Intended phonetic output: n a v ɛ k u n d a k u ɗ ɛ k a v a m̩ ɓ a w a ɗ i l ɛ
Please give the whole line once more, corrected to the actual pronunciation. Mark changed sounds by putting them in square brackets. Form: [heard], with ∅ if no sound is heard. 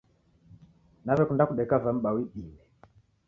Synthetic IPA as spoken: n a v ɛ k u n d a k u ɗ ɛ k a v a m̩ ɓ a w [i] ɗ i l ɛ